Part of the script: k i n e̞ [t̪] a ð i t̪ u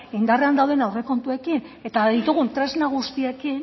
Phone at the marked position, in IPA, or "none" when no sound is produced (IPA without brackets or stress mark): t̪